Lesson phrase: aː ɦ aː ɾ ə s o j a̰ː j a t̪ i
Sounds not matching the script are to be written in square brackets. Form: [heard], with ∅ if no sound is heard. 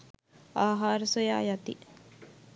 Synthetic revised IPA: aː ɦ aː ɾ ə s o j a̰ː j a t̪ i